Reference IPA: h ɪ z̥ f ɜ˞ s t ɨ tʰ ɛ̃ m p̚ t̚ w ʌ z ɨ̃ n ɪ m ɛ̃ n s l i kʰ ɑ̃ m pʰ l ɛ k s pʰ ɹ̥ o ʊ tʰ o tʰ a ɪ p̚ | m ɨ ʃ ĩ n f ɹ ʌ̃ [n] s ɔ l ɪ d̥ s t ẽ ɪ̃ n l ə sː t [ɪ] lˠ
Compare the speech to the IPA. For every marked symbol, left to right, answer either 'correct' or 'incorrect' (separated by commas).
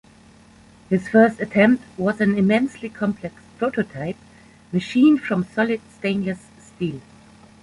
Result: incorrect, incorrect